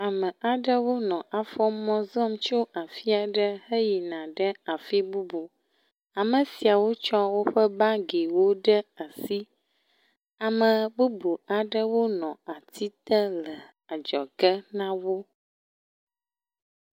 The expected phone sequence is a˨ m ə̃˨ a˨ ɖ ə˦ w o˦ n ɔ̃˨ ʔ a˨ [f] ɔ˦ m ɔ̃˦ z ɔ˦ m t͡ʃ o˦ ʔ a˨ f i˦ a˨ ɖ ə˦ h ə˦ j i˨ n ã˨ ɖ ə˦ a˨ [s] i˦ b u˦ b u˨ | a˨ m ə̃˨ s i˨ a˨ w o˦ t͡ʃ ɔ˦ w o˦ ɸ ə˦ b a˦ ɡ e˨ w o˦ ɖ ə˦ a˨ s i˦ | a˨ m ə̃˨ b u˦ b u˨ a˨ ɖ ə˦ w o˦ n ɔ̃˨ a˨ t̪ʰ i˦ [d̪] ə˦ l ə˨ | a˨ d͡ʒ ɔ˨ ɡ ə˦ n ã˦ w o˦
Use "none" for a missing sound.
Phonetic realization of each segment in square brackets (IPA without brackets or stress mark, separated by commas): f, f, t̪